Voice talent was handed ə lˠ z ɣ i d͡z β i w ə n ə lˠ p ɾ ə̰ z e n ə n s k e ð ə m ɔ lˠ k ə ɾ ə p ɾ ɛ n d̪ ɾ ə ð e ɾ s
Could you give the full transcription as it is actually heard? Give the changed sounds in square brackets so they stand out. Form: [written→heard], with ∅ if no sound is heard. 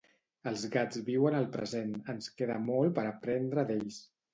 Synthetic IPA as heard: ə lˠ z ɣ [i→a] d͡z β i w ə n ə lˠ p ɾ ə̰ z e n ə n s k e ð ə m ɔ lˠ [k→p] ə ɾ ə p ɾ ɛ n d̪ ɾ ə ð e [ɾ→ʎ] s